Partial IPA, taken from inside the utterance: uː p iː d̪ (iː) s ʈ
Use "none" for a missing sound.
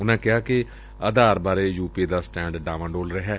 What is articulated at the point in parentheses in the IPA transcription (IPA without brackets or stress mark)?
aː